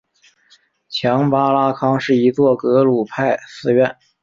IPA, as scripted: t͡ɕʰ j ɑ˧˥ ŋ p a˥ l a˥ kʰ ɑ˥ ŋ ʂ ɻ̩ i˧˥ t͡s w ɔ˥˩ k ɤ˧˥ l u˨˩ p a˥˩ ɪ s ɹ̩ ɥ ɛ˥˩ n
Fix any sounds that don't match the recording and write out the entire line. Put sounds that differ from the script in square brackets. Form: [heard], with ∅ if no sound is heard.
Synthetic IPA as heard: t͡ɕʰ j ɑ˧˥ ŋ p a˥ l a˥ kʰ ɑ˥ ŋ ʂ ɻ̩ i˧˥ t͡s w ɔ˥˩ k ɤ˧˥ l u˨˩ [pʰ] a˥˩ ɪ s ɹ̩ ɥ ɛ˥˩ n

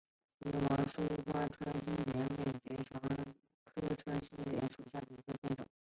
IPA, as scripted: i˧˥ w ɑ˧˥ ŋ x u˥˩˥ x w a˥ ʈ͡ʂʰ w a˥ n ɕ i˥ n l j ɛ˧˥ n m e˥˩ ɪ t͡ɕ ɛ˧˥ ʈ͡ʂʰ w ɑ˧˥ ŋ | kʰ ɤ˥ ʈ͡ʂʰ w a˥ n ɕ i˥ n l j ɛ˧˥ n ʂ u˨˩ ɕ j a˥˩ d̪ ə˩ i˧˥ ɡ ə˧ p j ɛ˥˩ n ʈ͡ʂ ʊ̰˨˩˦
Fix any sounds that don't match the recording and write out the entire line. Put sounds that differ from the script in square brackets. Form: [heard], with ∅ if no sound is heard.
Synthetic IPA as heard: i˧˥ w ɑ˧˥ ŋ [ʂ] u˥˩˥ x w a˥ ʈ͡ʂʰ w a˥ n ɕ i˥ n l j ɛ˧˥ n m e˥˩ ɪ t͡ɕ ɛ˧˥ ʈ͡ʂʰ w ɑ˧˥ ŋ | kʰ ɤ˥ ʈ͡ʂʰ w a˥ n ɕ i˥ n l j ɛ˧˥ n ʂ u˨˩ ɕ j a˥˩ d̪ ə˩ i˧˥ ɡ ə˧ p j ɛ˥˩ n ʈ͡ʂ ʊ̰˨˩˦

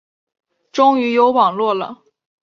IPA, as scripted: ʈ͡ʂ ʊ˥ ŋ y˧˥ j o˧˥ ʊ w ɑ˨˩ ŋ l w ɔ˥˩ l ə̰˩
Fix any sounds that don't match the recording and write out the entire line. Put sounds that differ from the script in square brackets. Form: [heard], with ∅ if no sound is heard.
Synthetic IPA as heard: ʈ͡ʂ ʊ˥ ŋ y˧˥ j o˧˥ ʊ w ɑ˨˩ ŋ l w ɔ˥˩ l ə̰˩

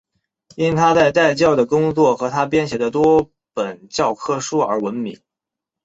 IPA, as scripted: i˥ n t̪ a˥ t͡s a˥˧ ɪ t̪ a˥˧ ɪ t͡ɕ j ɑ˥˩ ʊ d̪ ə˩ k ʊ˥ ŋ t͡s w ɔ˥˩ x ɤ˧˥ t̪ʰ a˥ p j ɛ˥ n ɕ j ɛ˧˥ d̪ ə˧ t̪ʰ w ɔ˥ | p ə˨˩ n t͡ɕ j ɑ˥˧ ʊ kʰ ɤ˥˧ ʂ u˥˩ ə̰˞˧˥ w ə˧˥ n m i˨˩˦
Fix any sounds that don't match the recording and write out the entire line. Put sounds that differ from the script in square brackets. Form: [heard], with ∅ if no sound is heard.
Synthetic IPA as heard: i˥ n [t̪ʰ] a˥ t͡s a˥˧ ɪ t̪ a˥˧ ɪ t͡ɕ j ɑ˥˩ ʊ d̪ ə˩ k ʊ˥ ŋ t͡s w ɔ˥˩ x ɤ˧˥ t̪ʰ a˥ p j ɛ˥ n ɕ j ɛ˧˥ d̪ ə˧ [t̪] w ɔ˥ | p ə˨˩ n t͡ɕ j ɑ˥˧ ʊ kʰ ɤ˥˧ ʂ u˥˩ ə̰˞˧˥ w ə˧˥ n m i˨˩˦

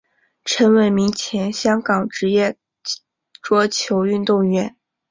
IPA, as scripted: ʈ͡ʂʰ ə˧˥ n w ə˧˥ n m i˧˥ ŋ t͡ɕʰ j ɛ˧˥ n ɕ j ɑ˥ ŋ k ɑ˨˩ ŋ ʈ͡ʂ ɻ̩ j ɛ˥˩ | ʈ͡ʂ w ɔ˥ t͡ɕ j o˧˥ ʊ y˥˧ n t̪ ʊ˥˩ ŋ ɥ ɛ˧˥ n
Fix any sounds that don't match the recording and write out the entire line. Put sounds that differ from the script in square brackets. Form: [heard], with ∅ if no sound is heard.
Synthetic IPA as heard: ʈ͡ʂʰ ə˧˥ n w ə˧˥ n m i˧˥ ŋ t͡ɕʰ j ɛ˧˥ n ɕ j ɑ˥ ŋ k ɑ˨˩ ŋ ʈ͡ʂ ɻ̩ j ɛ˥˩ | ʈ͡ʂ w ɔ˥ [t͡ɕʰ] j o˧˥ ʊ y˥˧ n t̪ ʊ˥˩ ŋ ɥ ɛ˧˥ n

